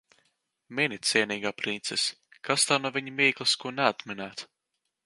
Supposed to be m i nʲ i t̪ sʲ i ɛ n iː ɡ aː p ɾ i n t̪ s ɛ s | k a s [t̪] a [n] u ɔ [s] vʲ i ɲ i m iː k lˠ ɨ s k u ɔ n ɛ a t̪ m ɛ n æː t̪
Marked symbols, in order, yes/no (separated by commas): yes, yes, no